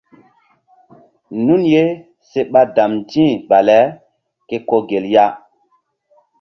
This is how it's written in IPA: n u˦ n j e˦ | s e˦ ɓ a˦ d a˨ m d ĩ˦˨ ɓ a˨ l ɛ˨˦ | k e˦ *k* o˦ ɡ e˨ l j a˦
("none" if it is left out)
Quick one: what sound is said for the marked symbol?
k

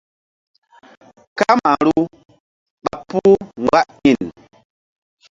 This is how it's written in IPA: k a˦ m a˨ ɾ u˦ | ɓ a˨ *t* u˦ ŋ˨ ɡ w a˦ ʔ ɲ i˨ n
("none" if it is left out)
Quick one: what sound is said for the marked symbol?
p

